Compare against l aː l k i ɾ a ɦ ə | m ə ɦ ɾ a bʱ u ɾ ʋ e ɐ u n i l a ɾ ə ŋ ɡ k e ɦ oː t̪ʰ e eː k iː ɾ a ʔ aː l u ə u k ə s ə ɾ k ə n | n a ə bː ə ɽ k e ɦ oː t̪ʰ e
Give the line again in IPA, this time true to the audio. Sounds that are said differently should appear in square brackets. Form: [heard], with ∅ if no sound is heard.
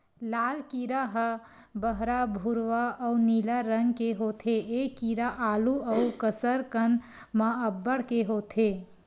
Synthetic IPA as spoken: l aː l k i ɾ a ɦ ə | [b] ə ɦ ɾ a bʱ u ɾ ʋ [a] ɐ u n i l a ɾ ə ŋ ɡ k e ɦ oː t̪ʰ e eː k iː ɾ a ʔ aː l u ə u k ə s ə ɾ k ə n | [m] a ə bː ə ɽ k e ɦ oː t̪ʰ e